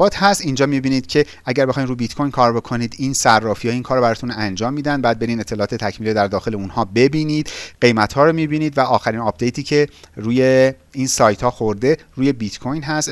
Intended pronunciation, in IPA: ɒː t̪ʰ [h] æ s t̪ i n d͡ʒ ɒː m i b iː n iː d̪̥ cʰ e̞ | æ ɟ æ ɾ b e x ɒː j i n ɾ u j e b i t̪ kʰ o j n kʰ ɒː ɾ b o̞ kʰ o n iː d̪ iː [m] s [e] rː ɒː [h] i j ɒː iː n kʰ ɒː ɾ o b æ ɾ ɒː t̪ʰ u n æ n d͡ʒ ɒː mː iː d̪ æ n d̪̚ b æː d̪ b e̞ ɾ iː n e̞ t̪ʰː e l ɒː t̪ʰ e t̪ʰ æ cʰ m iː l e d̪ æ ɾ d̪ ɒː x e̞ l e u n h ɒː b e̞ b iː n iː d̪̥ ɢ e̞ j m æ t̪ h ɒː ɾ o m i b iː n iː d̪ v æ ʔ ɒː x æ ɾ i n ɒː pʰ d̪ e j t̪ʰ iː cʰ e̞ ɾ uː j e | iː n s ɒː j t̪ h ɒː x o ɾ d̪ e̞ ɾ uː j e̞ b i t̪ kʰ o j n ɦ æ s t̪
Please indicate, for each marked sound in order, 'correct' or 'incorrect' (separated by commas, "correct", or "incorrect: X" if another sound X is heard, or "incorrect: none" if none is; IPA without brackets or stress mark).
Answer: correct, incorrect: n, incorrect: æ, incorrect: f